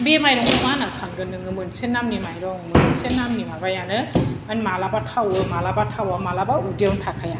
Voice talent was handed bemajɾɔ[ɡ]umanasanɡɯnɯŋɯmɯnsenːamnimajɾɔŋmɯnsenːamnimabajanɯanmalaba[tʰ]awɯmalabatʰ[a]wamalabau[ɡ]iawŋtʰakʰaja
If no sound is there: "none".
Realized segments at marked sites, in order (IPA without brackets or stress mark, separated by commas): ŋ, tʰ, a, d